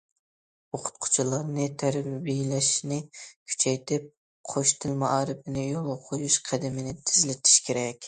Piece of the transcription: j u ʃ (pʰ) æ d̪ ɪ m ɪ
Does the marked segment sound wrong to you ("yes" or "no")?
yes